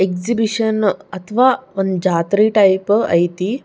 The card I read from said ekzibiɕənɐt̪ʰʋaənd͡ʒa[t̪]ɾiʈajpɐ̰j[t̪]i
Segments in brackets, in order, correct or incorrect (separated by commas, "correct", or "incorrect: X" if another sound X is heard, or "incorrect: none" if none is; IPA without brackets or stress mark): correct, correct